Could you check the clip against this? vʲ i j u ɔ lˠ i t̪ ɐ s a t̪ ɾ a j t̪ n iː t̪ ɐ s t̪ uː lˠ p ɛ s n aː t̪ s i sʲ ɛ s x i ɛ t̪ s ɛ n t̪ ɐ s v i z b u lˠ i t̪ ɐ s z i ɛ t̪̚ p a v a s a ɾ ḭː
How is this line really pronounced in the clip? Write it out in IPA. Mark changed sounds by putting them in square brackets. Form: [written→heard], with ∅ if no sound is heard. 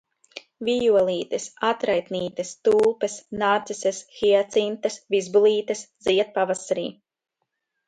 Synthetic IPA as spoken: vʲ i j u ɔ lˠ [i→iː] t̪ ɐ s a t̪ ɾ a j t̪ n iː t̪ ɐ s t̪ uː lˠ p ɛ s n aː t̪ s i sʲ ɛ s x i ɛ t̪ s [ɛ→i] n t̪ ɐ s v i z b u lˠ [i→iː] t̪ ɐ s z i ɛ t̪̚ p a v a s a ɾ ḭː